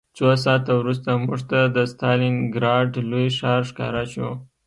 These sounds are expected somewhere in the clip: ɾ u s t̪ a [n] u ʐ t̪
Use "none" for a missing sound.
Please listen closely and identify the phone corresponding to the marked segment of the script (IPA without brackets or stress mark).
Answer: m